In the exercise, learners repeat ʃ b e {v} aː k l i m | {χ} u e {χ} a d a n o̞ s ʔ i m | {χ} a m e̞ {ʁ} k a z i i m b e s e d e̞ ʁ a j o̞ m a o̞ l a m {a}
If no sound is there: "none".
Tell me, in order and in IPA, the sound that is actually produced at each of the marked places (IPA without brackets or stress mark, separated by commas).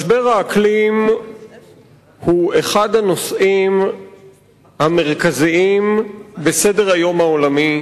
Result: ʁ, h, χ, h, ʁ, i